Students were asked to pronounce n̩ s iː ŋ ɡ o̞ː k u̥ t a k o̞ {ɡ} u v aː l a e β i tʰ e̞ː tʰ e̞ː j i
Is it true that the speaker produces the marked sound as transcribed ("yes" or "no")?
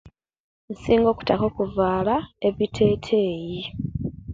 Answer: no